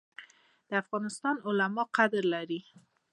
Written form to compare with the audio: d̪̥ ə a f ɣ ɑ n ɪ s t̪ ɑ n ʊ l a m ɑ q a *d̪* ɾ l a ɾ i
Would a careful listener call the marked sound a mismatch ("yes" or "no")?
no